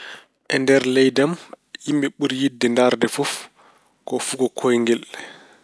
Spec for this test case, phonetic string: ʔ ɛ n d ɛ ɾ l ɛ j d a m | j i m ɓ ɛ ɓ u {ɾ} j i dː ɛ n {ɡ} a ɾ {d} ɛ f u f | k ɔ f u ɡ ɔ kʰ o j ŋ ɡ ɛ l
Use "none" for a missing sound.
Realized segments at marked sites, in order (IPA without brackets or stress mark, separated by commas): ɾ, d, d